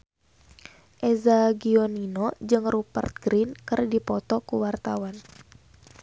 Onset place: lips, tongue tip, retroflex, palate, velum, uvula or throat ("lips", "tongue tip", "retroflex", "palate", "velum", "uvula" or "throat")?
throat